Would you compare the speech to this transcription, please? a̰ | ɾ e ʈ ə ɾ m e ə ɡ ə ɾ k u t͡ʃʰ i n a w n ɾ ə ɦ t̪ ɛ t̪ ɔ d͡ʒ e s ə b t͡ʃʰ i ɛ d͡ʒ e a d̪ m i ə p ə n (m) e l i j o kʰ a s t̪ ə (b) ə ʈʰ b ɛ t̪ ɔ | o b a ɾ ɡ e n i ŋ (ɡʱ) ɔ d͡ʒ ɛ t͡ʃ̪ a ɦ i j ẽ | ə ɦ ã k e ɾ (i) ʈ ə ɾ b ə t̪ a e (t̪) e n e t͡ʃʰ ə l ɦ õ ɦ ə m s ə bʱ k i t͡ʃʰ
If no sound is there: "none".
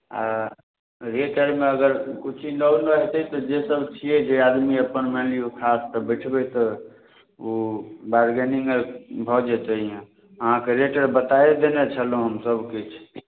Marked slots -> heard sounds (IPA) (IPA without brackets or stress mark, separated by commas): m, b, bʱ, e, d̪